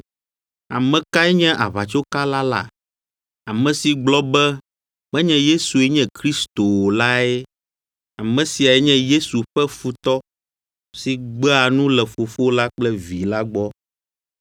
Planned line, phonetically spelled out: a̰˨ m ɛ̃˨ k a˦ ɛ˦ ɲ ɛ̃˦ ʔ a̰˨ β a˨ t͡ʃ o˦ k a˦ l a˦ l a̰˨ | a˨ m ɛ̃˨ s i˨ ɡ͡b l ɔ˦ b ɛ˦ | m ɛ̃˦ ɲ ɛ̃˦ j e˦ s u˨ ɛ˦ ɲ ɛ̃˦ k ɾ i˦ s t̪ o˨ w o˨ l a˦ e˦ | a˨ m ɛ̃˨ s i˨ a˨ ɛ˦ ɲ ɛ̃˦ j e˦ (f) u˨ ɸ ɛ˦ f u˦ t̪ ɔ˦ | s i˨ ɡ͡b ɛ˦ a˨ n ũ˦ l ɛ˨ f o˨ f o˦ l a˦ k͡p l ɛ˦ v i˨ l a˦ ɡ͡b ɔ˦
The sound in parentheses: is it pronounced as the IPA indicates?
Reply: no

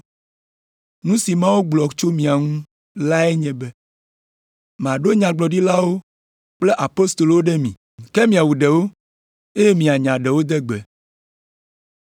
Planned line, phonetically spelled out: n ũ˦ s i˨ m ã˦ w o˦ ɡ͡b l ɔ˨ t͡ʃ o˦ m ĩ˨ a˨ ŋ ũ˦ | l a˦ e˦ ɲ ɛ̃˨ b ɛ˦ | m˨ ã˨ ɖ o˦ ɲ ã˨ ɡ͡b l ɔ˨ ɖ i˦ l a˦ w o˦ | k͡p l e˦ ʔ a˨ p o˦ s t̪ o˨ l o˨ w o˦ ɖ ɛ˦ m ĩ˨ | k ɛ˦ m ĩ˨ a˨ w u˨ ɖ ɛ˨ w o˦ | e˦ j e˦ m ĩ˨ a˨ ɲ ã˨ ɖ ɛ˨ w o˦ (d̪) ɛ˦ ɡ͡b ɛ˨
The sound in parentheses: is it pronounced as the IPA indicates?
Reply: yes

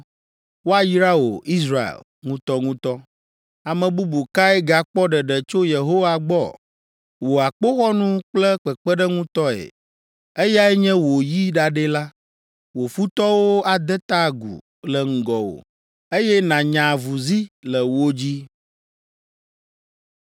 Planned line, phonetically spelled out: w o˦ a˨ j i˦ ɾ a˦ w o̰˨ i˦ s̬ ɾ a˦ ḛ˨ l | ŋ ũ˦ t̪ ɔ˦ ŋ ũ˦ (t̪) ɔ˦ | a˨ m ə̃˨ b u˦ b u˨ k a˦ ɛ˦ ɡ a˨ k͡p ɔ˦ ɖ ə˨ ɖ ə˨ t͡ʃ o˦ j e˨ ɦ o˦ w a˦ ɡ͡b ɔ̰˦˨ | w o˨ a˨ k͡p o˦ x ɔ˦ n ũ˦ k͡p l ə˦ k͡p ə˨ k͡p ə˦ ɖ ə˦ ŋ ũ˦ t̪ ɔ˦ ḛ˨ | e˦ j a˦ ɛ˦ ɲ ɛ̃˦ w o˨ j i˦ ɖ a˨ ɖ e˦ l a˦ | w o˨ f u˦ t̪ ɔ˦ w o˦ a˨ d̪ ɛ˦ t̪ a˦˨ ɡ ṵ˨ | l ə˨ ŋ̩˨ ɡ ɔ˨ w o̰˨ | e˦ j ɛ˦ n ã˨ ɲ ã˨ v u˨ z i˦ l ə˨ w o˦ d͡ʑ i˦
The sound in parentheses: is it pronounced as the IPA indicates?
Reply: yes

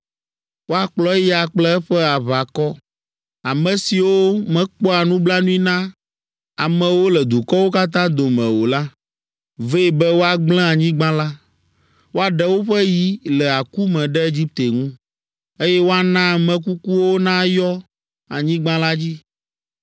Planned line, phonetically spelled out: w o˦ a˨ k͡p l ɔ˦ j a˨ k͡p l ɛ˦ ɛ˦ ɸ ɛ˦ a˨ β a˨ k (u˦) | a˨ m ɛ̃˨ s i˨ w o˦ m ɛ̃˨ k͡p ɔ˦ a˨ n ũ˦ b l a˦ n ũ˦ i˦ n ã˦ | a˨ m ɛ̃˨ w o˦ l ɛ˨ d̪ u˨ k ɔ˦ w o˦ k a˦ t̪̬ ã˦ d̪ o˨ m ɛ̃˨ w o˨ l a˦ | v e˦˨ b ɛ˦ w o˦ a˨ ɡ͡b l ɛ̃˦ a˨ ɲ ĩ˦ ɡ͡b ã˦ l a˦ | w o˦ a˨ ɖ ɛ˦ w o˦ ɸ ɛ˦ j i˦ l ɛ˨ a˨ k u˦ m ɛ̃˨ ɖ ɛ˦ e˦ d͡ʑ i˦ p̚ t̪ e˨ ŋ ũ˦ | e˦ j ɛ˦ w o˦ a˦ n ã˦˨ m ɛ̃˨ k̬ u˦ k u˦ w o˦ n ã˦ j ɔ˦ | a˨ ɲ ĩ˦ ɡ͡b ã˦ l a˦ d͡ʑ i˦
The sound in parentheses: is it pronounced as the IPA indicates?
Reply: no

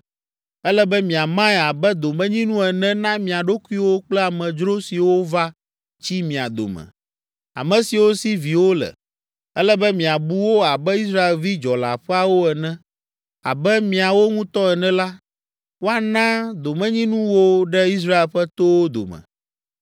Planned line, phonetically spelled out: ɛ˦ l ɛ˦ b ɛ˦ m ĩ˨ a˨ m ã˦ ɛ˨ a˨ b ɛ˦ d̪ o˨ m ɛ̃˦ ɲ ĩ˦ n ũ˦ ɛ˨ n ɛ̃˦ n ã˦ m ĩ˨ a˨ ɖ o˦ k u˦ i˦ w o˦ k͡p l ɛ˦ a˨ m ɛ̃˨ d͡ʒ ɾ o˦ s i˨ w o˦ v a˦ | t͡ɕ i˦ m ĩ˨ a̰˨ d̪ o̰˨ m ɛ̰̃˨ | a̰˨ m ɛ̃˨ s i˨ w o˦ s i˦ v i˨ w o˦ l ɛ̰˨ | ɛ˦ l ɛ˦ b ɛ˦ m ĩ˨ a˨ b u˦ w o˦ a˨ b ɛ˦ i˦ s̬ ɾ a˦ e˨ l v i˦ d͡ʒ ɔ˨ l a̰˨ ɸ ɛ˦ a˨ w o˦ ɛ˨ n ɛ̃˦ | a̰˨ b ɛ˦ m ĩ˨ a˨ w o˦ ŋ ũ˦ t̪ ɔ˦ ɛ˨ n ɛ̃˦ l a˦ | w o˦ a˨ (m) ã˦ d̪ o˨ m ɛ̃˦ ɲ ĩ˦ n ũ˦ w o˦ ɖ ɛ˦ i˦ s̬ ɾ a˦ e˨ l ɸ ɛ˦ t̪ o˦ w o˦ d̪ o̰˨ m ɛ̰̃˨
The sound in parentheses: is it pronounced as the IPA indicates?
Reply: no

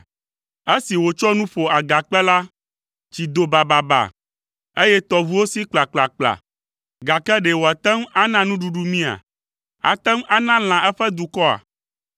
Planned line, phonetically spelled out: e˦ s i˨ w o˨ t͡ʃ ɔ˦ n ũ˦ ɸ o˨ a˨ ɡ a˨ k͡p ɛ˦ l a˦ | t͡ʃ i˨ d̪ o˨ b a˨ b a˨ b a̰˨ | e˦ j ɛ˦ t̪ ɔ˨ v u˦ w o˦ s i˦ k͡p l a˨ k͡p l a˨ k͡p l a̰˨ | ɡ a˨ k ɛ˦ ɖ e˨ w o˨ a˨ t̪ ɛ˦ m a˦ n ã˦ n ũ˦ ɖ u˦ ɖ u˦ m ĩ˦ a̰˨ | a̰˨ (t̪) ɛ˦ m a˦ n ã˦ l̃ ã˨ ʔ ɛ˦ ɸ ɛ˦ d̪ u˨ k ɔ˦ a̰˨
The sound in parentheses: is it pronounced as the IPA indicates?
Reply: yes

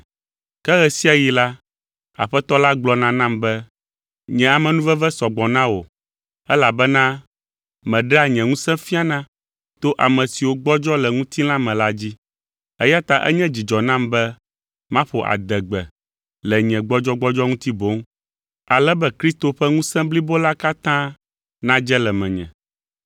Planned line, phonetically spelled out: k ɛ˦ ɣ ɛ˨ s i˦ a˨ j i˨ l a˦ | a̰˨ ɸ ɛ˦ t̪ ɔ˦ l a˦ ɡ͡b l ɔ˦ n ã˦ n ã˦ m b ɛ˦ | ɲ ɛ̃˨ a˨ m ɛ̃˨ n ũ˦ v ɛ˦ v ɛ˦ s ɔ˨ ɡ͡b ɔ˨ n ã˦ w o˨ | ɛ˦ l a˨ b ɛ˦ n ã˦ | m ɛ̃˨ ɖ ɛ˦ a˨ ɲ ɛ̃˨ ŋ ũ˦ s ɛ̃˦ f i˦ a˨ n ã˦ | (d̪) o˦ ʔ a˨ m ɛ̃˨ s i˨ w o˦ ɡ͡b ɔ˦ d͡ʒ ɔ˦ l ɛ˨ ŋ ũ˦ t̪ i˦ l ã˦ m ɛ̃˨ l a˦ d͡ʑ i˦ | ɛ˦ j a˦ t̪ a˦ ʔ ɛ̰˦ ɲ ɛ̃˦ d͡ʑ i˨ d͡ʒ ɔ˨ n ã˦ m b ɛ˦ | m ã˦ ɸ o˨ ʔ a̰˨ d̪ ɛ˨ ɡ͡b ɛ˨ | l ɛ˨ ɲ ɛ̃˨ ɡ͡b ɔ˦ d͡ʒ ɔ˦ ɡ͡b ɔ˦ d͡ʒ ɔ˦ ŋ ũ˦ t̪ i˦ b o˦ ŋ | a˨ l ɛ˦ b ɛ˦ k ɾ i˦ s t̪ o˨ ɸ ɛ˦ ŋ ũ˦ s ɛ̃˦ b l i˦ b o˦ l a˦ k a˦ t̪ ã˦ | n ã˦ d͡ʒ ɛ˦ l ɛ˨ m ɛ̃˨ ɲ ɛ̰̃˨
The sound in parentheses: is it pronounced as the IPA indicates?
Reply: no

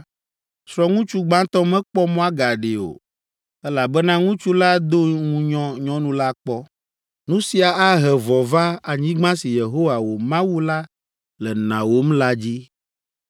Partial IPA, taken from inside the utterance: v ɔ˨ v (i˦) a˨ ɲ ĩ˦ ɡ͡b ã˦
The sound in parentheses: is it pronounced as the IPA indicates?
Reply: no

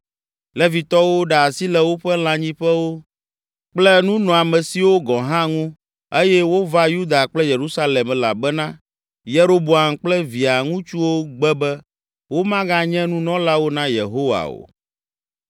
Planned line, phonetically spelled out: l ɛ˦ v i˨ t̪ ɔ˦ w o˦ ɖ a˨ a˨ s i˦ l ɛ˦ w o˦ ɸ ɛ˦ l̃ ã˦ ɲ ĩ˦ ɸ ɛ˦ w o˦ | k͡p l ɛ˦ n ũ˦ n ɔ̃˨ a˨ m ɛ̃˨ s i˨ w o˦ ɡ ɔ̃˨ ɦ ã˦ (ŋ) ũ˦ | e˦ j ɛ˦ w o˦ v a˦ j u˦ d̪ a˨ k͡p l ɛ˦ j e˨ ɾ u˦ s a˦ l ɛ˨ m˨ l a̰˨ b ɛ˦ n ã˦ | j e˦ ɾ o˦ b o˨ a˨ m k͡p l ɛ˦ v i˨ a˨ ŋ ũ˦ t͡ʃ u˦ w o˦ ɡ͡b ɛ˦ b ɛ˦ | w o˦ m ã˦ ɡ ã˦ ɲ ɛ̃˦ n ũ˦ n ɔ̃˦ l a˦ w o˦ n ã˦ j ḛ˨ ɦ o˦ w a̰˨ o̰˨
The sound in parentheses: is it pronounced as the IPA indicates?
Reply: yes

